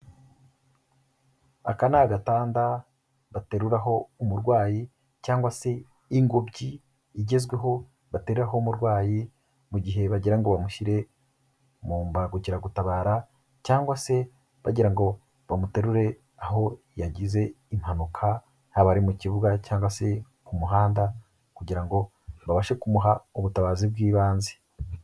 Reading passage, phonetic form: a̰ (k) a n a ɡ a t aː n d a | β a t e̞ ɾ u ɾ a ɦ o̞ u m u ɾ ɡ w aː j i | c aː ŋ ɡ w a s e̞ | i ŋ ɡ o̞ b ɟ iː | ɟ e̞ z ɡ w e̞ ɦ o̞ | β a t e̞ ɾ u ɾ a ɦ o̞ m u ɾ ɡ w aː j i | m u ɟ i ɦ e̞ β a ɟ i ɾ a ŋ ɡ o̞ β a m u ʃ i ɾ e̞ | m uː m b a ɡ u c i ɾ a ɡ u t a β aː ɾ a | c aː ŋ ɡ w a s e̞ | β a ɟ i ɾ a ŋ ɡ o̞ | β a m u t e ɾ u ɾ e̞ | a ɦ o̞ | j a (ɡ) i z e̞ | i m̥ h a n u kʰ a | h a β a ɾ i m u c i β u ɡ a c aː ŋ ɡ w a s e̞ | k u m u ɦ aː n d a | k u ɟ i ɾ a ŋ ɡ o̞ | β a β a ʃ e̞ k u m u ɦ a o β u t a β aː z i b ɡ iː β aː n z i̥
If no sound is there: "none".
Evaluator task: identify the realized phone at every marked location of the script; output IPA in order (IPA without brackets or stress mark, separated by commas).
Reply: k, ɟ